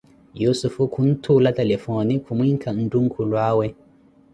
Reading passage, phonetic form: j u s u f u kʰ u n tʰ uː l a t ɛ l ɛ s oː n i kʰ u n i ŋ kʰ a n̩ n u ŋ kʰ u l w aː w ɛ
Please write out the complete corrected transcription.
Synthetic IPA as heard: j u s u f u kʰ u n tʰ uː l a t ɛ l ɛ f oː n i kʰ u m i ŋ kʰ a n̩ d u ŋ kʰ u l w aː w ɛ